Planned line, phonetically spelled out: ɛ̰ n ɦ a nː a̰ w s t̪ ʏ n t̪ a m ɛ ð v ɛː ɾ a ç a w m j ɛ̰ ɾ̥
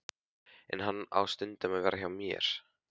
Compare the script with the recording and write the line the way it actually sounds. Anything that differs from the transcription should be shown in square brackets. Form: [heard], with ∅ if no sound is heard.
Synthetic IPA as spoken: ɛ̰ n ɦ a nː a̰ w s t̪ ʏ n t̪ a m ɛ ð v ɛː ɾ a ç a w m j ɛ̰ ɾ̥